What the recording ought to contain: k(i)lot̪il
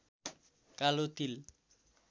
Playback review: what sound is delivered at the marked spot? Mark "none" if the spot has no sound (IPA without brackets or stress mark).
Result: a